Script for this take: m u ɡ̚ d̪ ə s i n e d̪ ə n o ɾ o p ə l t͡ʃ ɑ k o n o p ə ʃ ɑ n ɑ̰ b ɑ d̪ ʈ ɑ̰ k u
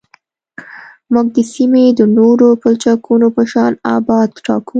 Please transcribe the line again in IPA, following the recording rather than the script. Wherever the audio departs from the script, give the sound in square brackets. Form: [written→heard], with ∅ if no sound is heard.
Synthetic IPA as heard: m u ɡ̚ d̪ ə s i [n→m] e d̪ ə n o ɾ o p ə l t͡ʃ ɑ k [o→u] n o p ə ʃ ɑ n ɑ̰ b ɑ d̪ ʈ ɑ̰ k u